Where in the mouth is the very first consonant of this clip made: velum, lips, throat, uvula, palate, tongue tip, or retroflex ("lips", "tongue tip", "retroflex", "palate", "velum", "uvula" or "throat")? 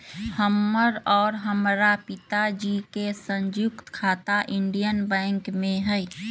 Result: throat